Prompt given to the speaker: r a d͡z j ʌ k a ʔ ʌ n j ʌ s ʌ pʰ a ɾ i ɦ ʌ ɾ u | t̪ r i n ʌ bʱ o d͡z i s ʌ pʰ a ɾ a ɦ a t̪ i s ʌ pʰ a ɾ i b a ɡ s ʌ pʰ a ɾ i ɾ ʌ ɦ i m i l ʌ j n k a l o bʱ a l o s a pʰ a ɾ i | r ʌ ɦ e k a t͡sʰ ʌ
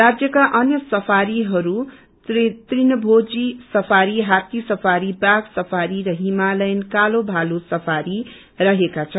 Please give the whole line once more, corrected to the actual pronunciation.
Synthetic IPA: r a d͡z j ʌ k a ʔ ʌ n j ʌ s ʌ pʰ a ɾ i ɦ ʌ ɾ u | t̪ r i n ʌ bʱ o d͡z i s ʌ pʰ a ɾ i ɦ a t̪ i s ʌ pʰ a ɾ i b a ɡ s ʌ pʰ a ɾ i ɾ ʌ ɦ i m a l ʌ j n k a l o bʱ a l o s ʌ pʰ a ɾ i | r ʌ ɦ e k a t͡sʰ ʌ